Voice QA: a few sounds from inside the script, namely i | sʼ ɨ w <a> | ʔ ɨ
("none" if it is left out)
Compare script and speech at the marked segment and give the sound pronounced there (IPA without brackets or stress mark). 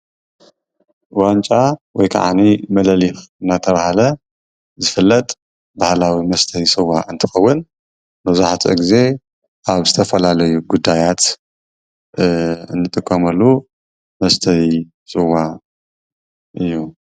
a